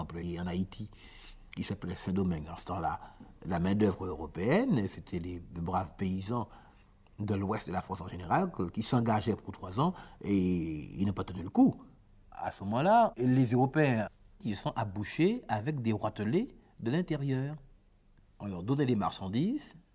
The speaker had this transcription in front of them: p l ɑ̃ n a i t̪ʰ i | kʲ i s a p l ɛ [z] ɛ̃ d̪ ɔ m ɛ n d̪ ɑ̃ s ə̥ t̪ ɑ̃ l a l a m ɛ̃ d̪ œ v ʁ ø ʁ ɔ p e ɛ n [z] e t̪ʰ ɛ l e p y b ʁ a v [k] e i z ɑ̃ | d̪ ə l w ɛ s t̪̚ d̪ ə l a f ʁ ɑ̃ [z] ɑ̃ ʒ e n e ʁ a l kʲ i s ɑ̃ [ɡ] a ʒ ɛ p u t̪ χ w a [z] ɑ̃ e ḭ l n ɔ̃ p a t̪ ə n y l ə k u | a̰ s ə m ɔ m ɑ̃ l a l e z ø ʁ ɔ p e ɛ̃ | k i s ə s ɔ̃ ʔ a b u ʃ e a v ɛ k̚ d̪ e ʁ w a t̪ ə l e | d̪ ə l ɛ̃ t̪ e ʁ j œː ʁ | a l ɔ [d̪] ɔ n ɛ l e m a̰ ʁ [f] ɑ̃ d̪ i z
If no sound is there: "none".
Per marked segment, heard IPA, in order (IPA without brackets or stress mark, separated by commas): s, s, p, s, ɡ, z, d̪, ʃ